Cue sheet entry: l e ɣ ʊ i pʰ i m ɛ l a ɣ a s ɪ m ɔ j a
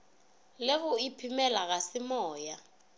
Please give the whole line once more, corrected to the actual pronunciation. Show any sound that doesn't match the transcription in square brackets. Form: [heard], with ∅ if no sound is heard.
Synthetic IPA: l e ɣ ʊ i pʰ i m ɛ l a ɣ a s ɪ m [ɔː] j a

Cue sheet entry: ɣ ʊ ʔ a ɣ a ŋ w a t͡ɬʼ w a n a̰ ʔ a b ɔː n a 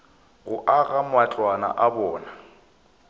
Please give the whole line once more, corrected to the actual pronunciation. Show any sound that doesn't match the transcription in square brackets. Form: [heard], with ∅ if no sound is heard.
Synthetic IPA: ɣ ʊ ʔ a ɣ a [m] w a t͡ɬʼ w a n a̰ ʔ a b ɔː n a

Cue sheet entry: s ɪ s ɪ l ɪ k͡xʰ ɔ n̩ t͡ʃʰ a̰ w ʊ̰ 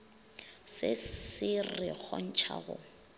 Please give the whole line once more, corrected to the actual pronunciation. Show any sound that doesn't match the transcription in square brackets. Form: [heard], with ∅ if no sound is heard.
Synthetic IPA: s ɪ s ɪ [r] ɪ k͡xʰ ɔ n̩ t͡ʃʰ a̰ [ɣ] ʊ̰

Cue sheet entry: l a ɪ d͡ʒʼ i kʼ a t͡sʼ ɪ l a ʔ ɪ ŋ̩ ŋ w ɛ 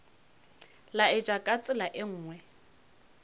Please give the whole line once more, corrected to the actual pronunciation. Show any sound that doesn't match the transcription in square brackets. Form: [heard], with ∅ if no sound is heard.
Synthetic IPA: l a ɪ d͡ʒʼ [a] kʼ a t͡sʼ ɪ l a ʔ ɪ [ŋ̩ː] ŋ w ɛ

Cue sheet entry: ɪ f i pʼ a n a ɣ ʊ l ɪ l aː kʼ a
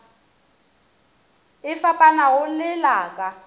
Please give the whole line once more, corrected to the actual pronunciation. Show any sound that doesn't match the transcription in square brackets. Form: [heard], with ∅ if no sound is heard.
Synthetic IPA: ɪ f [a] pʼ a n a ɣ ʊ l ɪ l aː kʼ a

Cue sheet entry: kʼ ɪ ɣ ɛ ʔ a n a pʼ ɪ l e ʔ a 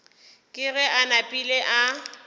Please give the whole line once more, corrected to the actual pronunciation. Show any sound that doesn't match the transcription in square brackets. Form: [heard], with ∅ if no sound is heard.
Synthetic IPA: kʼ ɪ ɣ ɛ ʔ a n a pʼ [i] l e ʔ a

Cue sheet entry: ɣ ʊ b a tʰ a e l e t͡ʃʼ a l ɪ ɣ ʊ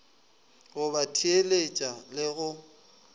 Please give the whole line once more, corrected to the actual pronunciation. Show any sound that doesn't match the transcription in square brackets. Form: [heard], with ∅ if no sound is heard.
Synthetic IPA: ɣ ʊ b a tʰ [i] e l e t͡ʃʼ a l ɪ ɣ ʊ

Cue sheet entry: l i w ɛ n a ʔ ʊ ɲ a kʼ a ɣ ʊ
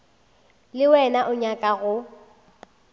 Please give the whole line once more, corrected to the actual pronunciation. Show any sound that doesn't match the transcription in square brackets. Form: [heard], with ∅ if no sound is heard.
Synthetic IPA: l [ɪ] w ɛ n a ʔ ʊ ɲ a kʼ a ɣ ʊ

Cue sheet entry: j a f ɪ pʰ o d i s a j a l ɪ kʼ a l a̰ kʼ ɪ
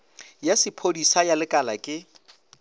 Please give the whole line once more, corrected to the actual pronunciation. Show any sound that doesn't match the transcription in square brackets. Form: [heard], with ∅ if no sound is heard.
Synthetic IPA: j a [s] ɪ pʰ o d i s a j a l ɪ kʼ a l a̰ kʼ ɪ

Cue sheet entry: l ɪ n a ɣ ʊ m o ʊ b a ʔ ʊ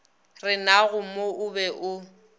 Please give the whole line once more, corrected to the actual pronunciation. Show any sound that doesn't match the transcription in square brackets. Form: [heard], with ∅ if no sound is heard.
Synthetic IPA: [r] ɪ n a ɣ ʊ m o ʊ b [ɛ] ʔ ʊ

